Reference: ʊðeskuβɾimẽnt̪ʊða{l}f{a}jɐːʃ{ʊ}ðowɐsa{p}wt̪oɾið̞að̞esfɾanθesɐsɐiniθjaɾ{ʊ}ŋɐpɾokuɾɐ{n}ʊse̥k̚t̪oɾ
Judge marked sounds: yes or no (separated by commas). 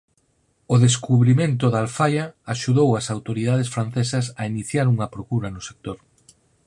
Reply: yes, yes, no, no, no, yes